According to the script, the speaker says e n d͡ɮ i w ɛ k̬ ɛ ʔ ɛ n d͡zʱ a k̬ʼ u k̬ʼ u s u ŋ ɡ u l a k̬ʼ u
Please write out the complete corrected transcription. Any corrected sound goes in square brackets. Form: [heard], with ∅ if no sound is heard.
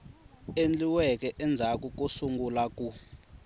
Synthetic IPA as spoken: e n d͡ɮ i w ɛ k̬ ɛ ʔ ɛ n d͡zʱ a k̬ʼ u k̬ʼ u s u ŋ ɡ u l a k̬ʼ u

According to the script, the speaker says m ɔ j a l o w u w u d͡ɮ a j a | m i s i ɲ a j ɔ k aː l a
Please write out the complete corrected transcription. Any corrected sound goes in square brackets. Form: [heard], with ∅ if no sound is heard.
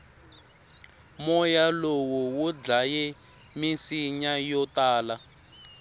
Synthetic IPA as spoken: m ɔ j a l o w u w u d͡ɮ a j [ɛ] | m i s i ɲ a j ɔ [t] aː l a

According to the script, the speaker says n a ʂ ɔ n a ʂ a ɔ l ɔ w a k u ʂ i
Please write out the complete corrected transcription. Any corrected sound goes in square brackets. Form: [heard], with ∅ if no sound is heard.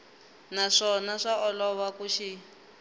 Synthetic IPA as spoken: n a ʂ ɔ n a ʂ a ɔ l ɔ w a k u [ʃ] i

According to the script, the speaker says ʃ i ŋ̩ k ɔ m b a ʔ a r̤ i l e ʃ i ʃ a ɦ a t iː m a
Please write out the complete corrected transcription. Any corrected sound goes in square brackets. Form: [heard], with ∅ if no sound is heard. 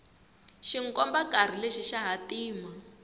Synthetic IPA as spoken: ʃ i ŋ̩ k ɔ m b a [k] a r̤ i l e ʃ i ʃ a ɦ a t iː m a

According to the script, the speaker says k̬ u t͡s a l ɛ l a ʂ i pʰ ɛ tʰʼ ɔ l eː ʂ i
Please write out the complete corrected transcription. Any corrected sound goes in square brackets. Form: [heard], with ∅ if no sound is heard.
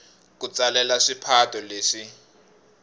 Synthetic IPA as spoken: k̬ u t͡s a l ɛ l a ʂ i pʰ [a] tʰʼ ɔ l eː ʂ i

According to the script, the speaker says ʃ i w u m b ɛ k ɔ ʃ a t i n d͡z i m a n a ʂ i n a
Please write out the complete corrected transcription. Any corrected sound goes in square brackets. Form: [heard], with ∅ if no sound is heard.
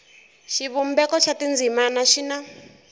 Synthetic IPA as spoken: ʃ i [β] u m b ɛ k ɔ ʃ a t i n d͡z i m a n a [ʃ] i n a

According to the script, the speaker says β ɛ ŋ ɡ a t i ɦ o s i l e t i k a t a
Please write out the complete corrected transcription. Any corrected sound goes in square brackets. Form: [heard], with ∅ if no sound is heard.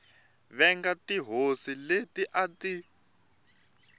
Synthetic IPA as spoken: β ɛ ŋ ɡ a t i ɦ o s i l e t i [ʔ] a t [i]

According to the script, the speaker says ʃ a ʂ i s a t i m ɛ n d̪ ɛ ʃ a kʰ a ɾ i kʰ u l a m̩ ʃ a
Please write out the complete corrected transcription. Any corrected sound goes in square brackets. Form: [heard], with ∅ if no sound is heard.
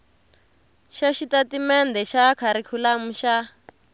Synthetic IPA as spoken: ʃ a [ʃ] i [t] a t i m ɛ n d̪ ɛ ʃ a kʰ a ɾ i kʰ u l a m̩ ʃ a

